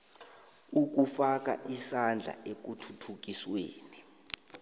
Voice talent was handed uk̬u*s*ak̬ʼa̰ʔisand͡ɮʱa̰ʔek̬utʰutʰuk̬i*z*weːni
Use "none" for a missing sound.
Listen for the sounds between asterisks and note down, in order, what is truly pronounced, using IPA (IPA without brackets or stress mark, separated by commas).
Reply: f, s